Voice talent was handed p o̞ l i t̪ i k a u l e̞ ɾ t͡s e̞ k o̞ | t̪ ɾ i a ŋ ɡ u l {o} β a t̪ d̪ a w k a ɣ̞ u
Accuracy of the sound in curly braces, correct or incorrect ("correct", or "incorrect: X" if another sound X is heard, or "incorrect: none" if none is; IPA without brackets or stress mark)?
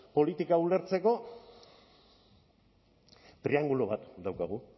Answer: correct